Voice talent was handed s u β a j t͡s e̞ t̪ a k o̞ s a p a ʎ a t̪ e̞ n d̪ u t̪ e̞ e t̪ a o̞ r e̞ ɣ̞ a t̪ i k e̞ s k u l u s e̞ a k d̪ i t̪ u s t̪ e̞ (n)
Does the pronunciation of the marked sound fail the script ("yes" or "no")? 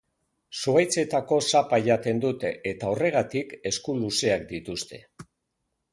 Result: yes